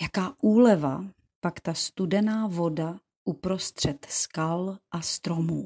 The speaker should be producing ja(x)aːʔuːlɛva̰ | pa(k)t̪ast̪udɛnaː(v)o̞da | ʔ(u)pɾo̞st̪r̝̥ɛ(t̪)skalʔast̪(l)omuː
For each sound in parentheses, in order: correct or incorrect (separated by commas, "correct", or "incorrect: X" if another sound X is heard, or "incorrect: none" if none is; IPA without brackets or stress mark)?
incorrect: k, correct, correct, correct, correct, incorrect: ɾ